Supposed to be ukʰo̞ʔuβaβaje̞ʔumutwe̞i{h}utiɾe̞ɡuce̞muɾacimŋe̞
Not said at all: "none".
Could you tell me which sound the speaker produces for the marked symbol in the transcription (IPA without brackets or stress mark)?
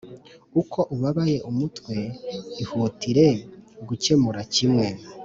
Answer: h